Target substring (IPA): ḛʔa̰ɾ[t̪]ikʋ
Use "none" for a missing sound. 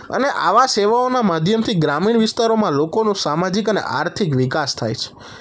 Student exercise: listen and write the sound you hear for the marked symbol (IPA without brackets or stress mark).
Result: t̪ʰ